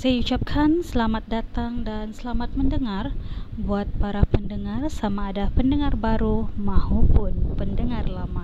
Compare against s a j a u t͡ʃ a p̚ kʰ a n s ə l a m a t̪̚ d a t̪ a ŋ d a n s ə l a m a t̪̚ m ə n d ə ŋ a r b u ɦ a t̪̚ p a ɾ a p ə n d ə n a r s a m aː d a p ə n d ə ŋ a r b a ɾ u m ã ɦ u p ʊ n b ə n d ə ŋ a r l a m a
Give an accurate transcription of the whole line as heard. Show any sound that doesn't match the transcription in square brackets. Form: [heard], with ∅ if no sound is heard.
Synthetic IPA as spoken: s a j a u t͡ʃ a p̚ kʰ a n s ə l a m a t̪̚ d a t̪ a ŋ d a n s ə l a m a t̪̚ m ə n d ə ŋ a r b u [∅] a t̪̚ p a ɾ a p ə n d ə [ŋ] a r s a m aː d a p ə n d ə ŋ a r b a ɾ u m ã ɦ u p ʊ n [p] ə n d ə ŋ a r l a m a